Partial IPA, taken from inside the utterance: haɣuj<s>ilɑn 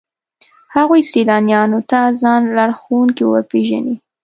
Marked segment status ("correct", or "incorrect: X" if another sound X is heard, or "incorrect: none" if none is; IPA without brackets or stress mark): correct